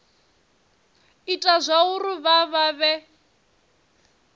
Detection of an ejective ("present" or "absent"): present